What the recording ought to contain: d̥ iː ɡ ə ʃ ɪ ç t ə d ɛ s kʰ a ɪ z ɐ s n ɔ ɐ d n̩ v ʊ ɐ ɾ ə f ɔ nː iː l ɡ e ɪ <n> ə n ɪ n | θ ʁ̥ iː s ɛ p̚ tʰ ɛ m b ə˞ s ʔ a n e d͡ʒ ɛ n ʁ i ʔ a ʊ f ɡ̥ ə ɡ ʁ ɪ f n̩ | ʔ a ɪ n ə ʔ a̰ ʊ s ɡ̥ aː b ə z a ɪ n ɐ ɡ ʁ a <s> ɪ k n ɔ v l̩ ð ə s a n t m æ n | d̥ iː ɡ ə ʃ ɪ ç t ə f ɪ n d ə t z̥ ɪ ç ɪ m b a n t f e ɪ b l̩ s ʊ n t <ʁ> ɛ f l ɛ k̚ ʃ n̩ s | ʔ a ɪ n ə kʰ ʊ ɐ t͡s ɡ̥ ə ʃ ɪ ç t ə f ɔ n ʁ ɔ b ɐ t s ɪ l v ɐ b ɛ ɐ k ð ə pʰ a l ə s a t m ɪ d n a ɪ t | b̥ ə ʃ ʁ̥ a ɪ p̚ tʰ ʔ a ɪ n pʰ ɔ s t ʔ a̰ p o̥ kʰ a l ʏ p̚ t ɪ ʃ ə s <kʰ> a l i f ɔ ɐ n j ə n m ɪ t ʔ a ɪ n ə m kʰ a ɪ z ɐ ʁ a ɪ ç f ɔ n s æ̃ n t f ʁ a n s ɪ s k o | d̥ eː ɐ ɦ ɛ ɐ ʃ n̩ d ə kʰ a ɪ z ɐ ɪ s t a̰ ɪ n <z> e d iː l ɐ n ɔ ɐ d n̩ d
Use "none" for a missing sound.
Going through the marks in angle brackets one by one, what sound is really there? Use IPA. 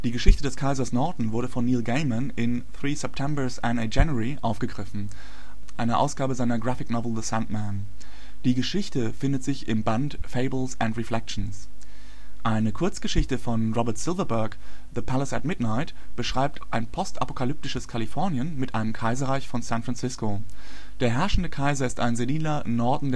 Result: m, f, ʁ, kʰ, z

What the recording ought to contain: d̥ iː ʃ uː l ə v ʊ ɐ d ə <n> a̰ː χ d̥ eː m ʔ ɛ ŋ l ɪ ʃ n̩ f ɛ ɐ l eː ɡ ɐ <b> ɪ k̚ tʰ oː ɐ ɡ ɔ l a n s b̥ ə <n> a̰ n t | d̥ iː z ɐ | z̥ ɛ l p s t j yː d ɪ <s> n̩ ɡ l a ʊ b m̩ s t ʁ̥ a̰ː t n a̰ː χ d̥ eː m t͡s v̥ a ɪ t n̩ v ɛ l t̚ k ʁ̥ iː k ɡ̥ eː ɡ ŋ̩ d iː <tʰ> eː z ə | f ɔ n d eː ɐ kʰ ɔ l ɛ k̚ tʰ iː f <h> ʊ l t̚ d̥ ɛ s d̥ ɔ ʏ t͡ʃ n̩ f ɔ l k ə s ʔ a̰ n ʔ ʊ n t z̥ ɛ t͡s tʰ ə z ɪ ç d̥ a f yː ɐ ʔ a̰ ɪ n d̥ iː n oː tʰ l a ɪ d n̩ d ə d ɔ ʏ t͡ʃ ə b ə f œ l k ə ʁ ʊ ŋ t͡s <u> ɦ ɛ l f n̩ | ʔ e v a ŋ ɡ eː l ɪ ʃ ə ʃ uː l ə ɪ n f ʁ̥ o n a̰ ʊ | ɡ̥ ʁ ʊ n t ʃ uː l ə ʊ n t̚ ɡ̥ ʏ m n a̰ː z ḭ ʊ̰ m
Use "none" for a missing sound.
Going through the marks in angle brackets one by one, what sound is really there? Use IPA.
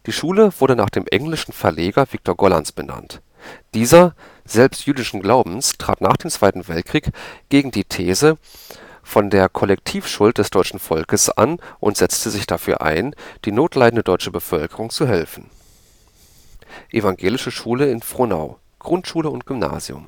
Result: n, v, n, ʃ, tʰ, ʃ, u

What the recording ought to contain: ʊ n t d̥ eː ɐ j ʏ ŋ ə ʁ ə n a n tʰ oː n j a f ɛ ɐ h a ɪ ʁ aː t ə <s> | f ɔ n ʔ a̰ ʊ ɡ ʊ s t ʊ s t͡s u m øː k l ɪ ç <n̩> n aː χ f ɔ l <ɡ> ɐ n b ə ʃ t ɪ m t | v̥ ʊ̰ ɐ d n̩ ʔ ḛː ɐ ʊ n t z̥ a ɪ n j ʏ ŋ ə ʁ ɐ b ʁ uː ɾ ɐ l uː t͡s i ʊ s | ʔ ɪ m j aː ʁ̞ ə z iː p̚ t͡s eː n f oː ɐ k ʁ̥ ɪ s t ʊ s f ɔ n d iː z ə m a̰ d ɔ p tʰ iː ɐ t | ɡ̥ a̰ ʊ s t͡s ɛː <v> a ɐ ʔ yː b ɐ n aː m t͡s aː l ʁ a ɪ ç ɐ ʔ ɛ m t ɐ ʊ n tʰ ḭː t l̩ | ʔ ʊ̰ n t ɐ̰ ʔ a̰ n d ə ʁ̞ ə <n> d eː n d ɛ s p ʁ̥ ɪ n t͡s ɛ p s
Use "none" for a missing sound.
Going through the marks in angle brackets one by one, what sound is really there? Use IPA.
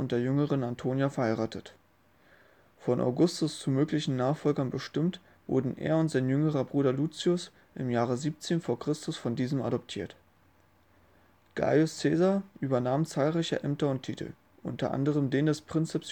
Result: t, n̩, ɡ, z, m

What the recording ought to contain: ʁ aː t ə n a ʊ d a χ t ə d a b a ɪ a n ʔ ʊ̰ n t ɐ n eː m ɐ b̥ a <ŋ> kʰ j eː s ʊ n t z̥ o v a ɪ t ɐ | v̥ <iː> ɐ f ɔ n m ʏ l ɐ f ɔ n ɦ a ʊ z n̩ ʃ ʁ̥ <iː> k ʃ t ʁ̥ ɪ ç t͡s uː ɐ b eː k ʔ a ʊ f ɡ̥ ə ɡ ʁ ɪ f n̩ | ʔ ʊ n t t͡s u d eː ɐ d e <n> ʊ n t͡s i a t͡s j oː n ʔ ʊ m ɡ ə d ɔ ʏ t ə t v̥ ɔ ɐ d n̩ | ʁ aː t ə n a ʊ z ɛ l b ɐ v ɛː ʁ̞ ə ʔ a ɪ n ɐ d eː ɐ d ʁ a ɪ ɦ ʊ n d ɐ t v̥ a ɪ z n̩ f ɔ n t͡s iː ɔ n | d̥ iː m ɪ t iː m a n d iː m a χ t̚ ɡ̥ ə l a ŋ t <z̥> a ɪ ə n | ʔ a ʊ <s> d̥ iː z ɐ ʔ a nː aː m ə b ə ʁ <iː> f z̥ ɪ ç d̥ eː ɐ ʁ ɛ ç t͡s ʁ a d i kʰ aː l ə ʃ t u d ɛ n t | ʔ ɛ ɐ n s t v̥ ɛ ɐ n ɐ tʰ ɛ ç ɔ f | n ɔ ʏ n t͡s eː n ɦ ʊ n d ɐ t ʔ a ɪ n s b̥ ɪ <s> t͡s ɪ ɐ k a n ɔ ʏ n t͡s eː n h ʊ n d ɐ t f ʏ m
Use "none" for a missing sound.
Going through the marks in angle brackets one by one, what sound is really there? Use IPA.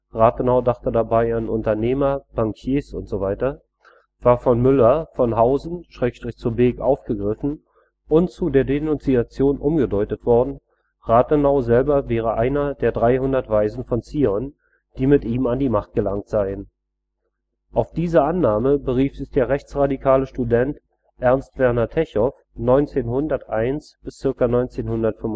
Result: ŋ, aː, ɛː, n, z̥, f, iː, s

